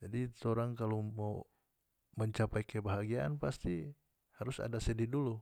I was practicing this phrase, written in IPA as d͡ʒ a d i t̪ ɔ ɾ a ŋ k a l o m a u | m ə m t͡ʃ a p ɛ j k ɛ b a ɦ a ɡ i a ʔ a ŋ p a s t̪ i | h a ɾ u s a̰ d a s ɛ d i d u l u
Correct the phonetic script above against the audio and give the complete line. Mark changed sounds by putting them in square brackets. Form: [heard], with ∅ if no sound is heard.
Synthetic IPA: d͡ʒ a d i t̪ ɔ ɾ a ŋ k a l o m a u | m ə [ɲ] t͡ʃ a p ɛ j k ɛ b a ɦ a ɡ i a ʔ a [n] p a s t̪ i | h a ɾ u s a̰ d a s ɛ d i d u l u

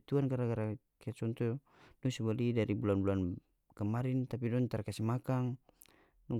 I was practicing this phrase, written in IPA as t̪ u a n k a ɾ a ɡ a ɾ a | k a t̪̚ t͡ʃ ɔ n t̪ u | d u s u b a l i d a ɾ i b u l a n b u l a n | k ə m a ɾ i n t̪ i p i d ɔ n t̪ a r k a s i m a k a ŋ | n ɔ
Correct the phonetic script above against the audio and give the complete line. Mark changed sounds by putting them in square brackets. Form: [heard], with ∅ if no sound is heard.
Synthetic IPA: t̪ u a n k a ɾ a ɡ a ɾ a | k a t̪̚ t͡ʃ ɔ n t̪ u | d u s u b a l i d a ɾ i b u l a n b u l a n | k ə m a ɾ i n t̪ [a] p i d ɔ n t̪ a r k a s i m a k a ŋ | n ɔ

